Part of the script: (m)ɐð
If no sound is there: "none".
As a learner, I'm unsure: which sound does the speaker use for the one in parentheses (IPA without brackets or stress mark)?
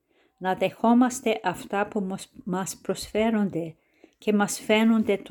n